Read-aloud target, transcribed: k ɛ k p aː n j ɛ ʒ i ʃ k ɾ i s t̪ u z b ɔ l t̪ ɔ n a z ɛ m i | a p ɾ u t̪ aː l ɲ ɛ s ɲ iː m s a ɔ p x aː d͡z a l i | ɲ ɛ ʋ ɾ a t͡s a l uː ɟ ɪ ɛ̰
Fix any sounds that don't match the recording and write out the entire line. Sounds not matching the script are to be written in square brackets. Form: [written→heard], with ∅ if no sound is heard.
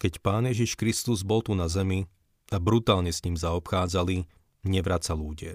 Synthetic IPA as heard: k ɛ [k→c] p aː n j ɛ ʒ i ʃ k ɾ i s t̪ u z b ɔ l t̪ [ɔ→u] n a z ɛ m i | a [p→b] ɾ u t̪ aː l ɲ ɛ s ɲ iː m [s→z] a ɔ p x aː d͡z a l i | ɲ ɛ ʋ ɾ a t͡s a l uː ɟ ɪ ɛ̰